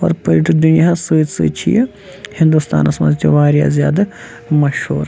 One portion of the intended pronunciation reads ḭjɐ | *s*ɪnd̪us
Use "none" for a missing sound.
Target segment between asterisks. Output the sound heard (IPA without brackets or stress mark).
h